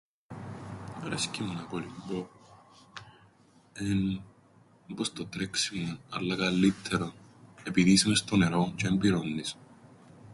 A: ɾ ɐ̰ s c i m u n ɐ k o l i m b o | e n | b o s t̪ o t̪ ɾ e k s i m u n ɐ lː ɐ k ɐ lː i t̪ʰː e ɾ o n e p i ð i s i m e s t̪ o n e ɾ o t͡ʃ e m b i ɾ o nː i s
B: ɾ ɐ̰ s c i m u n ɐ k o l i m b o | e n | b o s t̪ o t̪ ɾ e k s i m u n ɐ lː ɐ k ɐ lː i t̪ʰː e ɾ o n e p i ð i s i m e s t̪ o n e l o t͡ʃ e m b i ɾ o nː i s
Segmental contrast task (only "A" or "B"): A